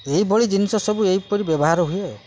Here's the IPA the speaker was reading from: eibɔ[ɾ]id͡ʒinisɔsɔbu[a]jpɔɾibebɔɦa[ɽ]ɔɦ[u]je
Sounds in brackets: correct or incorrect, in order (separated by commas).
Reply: incorrect, incorrect, incorrect, correct